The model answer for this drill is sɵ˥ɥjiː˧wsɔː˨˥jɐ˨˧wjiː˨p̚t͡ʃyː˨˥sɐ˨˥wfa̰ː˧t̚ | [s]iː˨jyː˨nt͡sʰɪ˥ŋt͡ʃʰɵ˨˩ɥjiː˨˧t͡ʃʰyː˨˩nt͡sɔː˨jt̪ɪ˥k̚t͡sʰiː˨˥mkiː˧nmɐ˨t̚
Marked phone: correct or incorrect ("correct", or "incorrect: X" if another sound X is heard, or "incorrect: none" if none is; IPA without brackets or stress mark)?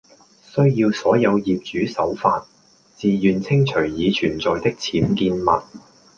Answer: incorrect: t͡s